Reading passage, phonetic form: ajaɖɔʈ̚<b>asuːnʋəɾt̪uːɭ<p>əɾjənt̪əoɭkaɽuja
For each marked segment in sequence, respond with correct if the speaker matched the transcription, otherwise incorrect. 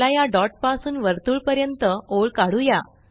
incorrect: p, correct

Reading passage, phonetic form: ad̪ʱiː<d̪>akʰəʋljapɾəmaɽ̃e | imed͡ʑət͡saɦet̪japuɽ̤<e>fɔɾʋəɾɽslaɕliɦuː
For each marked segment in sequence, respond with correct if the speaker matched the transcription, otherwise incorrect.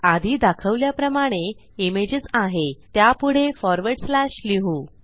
correct, correct

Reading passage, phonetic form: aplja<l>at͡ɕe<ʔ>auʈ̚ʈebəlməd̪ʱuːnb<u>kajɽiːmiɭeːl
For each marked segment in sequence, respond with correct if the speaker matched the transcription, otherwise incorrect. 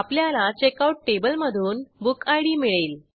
correct, incorrect: k, correct

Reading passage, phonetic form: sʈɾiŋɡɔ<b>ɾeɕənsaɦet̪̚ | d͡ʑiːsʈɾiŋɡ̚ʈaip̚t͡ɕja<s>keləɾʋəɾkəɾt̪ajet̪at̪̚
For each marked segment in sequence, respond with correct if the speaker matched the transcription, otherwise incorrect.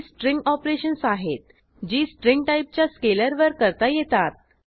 incorrect: p, correct

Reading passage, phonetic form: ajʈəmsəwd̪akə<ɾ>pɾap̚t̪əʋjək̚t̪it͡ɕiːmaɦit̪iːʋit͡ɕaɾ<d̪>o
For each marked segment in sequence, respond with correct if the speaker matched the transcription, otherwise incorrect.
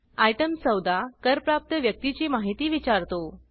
correct, incorrect: t̪

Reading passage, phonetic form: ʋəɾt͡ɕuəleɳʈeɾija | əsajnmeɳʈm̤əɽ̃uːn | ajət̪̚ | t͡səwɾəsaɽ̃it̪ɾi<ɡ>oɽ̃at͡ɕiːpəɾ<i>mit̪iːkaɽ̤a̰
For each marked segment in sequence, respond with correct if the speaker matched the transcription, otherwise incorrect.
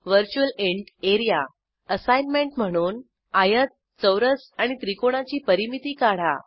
incorrect: k, correct

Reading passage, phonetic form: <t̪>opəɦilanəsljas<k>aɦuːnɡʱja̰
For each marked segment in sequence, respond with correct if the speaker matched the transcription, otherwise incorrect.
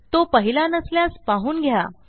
correct, incorrect: p

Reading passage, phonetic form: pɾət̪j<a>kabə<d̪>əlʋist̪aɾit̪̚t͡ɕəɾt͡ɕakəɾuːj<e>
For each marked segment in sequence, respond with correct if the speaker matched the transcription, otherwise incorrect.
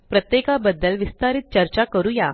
incorrect: e, incorrect: d̪ː, incorrect: a

